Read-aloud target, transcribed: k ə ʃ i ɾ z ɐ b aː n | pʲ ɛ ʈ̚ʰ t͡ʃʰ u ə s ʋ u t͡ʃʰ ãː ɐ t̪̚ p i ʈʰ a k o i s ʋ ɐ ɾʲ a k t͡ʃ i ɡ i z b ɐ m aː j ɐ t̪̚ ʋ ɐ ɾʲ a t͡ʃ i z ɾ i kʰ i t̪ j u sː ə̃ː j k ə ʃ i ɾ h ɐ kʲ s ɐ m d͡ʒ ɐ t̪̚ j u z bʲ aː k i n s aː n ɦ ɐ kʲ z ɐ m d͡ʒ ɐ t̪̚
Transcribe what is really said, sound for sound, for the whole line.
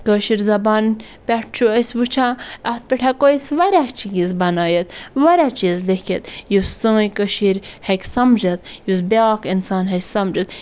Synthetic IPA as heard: k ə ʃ i ɾ z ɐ b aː n | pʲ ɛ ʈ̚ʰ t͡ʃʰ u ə s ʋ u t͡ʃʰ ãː ɐ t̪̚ p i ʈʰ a k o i s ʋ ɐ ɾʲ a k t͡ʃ i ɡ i z b ɐ n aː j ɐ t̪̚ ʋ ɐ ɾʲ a t͡ʃ i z l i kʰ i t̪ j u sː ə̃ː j k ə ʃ i ɾ h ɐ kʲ s ɐ m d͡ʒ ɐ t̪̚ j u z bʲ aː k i n s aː n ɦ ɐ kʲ s ɐ m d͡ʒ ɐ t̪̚